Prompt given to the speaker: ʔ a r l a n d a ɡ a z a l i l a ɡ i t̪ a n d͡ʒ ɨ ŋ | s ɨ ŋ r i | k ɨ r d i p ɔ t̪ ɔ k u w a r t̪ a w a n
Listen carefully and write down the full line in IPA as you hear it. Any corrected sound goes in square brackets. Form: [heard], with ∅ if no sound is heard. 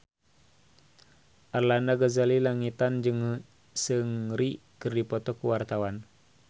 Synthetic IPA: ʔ a r l a n d a ɡ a z a l i l a [ŋ] i t̪ a n d͡ʒ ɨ ŋ | s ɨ ŋ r i | k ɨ r d i p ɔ t̪ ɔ k u w a r t̪ a w a n